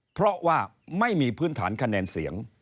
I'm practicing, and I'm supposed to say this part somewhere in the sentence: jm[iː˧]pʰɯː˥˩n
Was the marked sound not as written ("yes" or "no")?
no